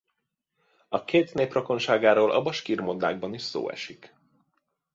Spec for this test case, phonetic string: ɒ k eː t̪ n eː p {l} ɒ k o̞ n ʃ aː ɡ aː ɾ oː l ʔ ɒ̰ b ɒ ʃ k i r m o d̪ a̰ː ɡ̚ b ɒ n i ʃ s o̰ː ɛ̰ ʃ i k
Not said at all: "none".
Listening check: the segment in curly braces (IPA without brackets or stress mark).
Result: r